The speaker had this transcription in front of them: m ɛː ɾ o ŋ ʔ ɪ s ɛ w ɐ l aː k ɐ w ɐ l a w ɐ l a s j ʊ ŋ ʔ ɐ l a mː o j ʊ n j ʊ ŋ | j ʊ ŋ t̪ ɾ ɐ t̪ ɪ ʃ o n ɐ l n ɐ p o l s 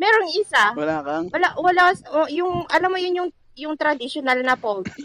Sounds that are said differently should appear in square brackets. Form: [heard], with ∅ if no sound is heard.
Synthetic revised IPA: m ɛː ɾ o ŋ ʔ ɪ s [a] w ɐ l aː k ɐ w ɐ l a w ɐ l a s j ʊ ŋ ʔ ɐ l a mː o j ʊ n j ʊ ŋ | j ʊ ŋ t̪ ɾ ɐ [d̪] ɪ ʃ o n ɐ l n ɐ p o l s